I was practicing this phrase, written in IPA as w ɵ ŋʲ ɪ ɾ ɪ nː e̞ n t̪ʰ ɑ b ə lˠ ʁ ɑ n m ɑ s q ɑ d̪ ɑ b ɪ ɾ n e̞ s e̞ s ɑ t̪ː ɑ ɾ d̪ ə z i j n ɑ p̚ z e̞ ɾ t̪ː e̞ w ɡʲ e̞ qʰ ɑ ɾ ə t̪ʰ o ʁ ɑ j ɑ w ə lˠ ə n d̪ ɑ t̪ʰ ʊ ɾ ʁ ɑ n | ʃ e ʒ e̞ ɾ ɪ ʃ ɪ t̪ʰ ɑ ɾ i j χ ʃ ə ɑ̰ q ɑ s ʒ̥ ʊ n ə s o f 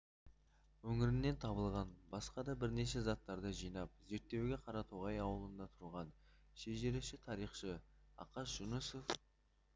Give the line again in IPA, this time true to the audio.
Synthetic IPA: w ɵ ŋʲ ɪ ɾ ɪ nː e̞ n t̪ʰ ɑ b ə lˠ ʁ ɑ n b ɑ s q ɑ d̪ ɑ b ɪ ɾ n e̞ ʃ e̞ z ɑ t̪ː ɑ ɾ d̪ ə ʒ i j n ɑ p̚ z e̞ ɾ t̪ː e̞ w ɡʲ e̞ qʰ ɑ ɾ ɑ t̪ʰ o ʁ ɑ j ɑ w ə lˠ ə n d̪ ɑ t̪ʰ ʊ ɾ ʁ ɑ n | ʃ e ʒ e̞ ɾ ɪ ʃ ɪ t̪ʰ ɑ ɾ i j χ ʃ ə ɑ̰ q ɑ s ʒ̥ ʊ n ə s o f